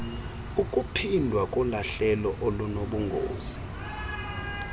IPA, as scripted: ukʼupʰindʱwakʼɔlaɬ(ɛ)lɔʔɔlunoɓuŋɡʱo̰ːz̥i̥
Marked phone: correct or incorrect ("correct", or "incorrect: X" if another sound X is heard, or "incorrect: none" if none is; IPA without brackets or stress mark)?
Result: correct